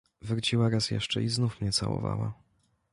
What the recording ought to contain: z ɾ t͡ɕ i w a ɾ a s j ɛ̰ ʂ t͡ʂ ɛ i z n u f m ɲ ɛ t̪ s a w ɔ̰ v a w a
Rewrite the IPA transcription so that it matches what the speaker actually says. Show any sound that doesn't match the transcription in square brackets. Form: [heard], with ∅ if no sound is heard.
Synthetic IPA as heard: [v] ɾ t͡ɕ i w a ɾ a s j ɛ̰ ʂ t͡ʂ ɛ i z n u f m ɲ ɛ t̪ s a w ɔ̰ v a w a